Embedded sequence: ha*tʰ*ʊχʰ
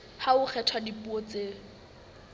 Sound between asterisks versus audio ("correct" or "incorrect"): incorrect